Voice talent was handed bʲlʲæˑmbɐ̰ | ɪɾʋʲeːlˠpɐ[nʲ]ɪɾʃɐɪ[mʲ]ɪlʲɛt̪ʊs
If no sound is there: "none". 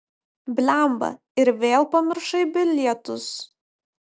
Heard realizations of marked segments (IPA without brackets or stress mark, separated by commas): mʲ, bʲ